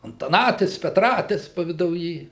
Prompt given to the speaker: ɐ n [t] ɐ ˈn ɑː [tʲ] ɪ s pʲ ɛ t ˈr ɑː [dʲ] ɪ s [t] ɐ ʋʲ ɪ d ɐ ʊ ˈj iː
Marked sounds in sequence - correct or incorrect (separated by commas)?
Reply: correct, correct, incorrect, incorrect